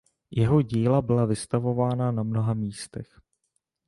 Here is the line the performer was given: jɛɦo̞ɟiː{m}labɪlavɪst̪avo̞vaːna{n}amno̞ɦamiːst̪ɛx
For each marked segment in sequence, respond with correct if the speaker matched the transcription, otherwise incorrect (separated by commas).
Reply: incorrect, correct